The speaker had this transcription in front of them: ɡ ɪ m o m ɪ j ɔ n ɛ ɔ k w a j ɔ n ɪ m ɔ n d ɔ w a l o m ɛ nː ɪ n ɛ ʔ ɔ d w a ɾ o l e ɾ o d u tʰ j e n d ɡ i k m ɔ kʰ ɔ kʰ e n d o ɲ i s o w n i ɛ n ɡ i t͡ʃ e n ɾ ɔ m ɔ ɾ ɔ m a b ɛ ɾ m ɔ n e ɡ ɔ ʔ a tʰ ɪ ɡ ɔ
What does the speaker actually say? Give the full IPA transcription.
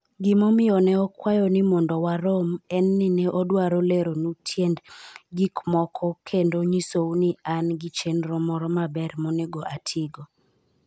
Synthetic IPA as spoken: ɡ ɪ m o m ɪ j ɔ n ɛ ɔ k w a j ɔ n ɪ m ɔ n d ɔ w a ɾ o m ɛ nː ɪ n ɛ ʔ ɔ d w a ɾ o l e ɾ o n u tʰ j e n d ɡ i k m ɔ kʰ ɔ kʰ e n d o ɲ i s o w n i a n ɡ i t͡ʃ e n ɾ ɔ m ɔ ɾ ɔ m a b ɛ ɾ m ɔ n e ɡ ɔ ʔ a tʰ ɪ ɡ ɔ